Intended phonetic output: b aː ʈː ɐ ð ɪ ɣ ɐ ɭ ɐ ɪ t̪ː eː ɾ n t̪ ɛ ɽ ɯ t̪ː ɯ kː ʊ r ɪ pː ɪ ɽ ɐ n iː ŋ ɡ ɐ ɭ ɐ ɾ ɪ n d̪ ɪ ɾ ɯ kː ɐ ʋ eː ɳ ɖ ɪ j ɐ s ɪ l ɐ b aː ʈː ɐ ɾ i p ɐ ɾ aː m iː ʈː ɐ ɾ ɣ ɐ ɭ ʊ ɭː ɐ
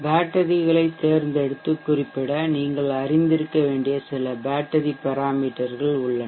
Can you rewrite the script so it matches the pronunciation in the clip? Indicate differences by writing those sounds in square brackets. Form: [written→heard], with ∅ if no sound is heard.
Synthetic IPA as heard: b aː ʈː ɐ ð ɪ ɣ ɐ ɭ ɐ ɪ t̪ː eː ɾ n [t̪→d̪] ɛ ɽ ɯ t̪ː ɯ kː ʊ r ɪ pː ɪ ɽ ɐ n iː ŋ ɡ ɐ ɭ ɐ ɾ ɪ n d̪ ɪ ɾ ɯ kː ɐ ʋ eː ɳ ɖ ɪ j ɐ s ɪ l ɐ b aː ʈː ɐ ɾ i p ɐ ɾ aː m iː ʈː ɐ ɾ ɣ ɐ ɭ ʊ ɭː ɐ